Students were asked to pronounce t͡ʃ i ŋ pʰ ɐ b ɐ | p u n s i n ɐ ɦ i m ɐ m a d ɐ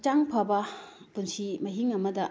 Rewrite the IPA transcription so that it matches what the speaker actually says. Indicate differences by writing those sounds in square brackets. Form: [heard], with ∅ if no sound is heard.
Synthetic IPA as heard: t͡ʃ [a] ŋ pʰ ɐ b ɐ | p u n s i [m] ɐ ɦ i [ŋ] ɐ m [ɐ] d ɐ